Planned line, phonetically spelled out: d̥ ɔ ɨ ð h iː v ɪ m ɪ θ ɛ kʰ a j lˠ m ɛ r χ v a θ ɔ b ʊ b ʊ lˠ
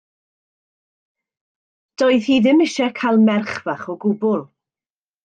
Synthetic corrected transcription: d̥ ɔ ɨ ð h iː ð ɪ m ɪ ʃ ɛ kʰ a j lˠ m ɛ r χ v a χ ɔ ɡ ʊ b ʊ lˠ